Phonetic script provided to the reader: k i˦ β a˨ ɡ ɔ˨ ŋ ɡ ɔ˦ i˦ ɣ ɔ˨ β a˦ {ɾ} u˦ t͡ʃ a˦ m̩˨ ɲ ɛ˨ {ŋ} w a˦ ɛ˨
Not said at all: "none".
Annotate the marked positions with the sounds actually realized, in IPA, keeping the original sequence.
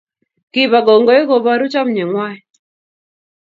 ɾ, ŋ

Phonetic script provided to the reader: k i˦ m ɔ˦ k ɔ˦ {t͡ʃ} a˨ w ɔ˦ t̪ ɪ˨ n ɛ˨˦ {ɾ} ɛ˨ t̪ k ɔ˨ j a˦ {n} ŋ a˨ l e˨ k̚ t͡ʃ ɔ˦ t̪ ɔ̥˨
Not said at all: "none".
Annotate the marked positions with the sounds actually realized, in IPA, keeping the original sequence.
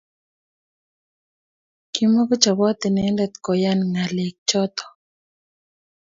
t͡ʃ, l, n

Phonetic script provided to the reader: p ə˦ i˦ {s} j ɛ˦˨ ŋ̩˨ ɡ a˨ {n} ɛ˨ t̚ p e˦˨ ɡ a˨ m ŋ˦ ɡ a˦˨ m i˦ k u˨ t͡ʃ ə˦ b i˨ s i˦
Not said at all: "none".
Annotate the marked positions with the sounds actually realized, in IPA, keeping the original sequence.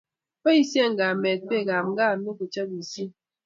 s, m

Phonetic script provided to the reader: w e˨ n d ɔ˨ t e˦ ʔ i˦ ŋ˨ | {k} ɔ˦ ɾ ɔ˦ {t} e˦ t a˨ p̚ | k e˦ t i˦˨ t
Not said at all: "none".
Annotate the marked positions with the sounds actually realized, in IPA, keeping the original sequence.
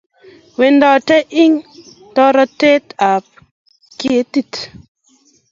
t, t

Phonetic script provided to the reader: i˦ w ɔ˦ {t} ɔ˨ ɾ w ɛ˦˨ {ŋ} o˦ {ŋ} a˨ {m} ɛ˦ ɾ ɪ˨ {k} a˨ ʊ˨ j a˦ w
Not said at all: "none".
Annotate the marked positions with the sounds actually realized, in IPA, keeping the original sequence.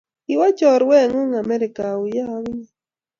t͡ʃ, ŋ, ŋ, m, k

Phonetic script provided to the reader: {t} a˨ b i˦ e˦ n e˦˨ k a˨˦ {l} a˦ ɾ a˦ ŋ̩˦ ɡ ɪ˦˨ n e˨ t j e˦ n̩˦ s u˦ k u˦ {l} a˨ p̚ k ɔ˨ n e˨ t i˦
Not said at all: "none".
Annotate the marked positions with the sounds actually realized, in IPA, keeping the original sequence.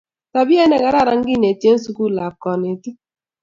t, ɾ, l

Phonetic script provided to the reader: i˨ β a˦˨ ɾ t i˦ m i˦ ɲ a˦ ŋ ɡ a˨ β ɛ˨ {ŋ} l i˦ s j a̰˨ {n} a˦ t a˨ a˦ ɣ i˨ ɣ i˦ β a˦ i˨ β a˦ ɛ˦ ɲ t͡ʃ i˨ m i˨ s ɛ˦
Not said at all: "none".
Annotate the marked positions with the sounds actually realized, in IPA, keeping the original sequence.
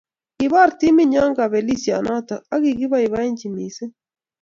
none, n

